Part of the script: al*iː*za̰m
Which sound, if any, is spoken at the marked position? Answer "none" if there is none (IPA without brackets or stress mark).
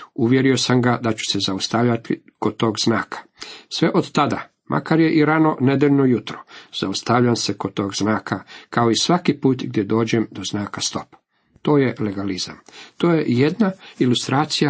i